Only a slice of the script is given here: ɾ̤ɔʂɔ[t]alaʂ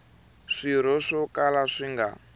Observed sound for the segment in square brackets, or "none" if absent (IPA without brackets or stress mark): k